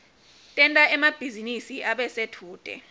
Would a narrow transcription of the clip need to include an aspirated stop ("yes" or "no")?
yes